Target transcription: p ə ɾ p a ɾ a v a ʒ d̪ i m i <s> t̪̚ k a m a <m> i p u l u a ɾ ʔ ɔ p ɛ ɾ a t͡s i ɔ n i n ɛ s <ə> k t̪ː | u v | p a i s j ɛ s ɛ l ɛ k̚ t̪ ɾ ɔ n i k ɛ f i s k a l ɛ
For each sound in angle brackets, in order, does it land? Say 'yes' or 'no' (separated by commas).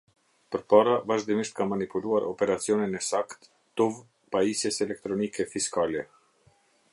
no, no, no